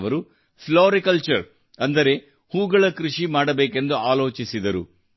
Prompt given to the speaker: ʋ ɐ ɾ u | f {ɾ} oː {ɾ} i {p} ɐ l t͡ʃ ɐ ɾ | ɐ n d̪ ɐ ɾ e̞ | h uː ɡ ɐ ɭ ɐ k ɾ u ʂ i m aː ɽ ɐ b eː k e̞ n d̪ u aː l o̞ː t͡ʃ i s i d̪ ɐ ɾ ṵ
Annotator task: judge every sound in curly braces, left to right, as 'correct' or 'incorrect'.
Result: incorrect, correct, incorrect

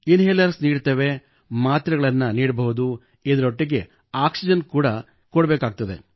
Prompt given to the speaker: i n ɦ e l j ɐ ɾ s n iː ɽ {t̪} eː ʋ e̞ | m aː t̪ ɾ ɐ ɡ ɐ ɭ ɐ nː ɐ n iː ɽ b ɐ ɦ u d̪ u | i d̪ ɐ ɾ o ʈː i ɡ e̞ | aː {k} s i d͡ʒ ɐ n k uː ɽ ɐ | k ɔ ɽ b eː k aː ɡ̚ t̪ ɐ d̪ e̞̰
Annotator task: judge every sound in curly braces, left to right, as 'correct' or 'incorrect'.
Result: correct, correct

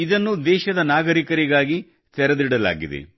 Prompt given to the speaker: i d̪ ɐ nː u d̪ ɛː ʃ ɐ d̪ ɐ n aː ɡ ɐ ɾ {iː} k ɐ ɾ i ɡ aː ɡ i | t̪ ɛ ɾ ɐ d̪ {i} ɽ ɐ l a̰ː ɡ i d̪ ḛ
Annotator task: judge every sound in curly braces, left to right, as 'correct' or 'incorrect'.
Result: incorrect, correct

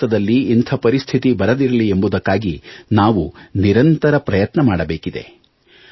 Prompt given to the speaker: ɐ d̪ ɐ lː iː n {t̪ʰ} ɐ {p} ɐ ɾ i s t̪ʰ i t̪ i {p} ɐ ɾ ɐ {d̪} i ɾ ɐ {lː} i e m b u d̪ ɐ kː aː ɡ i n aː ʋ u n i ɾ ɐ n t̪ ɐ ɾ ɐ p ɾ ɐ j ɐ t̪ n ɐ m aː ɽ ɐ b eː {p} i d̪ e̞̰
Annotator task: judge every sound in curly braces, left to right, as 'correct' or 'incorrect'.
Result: correct, correct, incorrect, correct, incorrect, incorrect

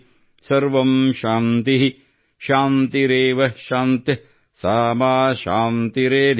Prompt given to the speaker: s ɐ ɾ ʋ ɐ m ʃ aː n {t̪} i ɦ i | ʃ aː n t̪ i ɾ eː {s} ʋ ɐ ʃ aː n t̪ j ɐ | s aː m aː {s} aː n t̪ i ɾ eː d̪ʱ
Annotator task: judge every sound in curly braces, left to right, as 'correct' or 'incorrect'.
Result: correct, incorrect, incorrect

